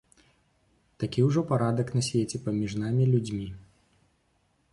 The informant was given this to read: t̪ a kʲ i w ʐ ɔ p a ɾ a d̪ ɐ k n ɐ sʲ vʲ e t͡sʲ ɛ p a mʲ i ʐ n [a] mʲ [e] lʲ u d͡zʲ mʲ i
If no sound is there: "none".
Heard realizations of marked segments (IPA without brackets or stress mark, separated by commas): a, i